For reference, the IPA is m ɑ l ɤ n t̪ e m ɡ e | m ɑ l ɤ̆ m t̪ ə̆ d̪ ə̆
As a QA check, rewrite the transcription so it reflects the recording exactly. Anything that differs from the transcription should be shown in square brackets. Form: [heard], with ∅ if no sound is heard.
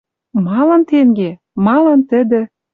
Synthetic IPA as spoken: m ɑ l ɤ n t̪ e [ŋ] ɡ e | m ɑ l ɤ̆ [n] t̪ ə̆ d̪ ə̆